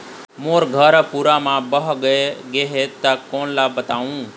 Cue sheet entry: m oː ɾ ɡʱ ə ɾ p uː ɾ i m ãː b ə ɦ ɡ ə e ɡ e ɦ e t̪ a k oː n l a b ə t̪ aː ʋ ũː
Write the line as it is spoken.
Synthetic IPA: m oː ɾ ɡʱ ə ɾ p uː ɾ a m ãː b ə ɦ ɡ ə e ɡ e ɦ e t̪ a k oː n l a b ə t̪ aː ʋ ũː